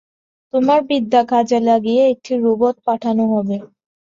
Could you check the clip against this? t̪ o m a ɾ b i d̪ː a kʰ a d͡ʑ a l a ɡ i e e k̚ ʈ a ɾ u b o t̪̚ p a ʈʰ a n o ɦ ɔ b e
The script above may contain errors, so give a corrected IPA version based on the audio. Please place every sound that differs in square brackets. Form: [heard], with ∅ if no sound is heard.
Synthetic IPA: t̪ o m a ɾ b i d̪ː a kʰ a d͡ʑ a l a ɡ i e e k̚ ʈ [i] ɾ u b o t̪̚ p a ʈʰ a n o ɦ ɔ b e